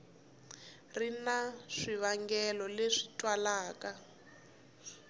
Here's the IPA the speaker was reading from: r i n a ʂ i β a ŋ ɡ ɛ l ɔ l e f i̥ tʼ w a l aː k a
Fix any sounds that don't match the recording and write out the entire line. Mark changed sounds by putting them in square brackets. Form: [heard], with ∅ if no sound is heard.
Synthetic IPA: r i n a ʂ i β a ŋ ɡ ɛ l ɔ l e [ʂ] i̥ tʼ w a l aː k a